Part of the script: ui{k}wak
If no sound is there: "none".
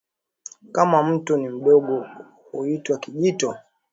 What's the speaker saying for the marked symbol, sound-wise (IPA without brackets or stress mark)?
t